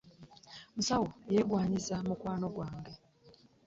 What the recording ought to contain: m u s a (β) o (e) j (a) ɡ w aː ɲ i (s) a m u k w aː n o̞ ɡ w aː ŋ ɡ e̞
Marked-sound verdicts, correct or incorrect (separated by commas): incorrect, correct, incorrect, incorrect